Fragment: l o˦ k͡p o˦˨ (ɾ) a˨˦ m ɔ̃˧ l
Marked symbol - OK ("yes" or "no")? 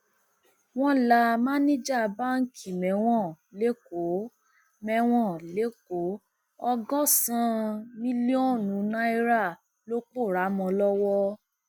yes